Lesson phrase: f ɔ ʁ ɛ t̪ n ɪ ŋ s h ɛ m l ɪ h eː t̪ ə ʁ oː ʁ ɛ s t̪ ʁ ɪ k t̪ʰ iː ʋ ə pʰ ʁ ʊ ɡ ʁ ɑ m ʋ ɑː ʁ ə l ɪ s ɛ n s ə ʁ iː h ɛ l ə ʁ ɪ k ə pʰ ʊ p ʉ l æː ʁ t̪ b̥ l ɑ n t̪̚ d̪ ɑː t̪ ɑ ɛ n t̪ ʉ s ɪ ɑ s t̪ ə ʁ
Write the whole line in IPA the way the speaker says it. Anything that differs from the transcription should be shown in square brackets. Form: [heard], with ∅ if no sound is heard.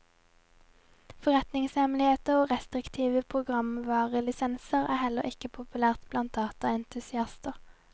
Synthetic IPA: f ɔ ʁ ɛ t̪ n ɪ ŋ s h ɛ m l ɪ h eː t̪ ə ʁ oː ʁ ɛ s t̪ ʁ ɪ k t̪ʰ iː ʋ ə pʰ ʁ ʊ ɡ ʁ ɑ m ʋ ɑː ʁ ə l ɪ s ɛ n s ə ʁ [æː] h ɛ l ə ʁ ɪ k ə pʰ ʊ p ʉ l æː ʁ t̪ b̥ l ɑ n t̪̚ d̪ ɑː t̪ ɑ ɛ n t̪ ʉ s ɪ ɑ s t̪ ə ʁ